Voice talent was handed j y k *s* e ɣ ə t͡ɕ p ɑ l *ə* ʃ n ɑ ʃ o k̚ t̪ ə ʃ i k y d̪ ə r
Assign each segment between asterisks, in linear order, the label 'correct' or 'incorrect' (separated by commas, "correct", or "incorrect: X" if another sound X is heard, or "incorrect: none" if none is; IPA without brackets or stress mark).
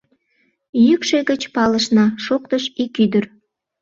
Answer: incorrect: ʃ, correct